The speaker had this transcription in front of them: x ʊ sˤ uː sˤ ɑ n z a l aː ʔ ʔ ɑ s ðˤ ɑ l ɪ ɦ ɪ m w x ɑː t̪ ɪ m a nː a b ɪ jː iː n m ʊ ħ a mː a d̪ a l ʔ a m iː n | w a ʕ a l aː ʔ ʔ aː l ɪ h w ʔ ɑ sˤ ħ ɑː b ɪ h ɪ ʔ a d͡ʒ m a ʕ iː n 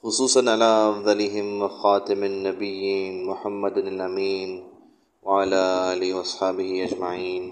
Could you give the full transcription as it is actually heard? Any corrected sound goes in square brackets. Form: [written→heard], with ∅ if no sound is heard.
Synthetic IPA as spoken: x ʊ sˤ uː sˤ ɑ n [z→ʕ] a l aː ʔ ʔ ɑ [s→f] ðˤ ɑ l ɪ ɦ ɪ m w x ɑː t̪ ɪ m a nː a b ɪ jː iː n m ʊ ħ a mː a d̪ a l ʔ a m iː n | w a ʕ a l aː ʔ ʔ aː l ɪ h w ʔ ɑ sˤ ħ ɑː b ɪ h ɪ ʔ a d͡ʒ m a ʕ iː n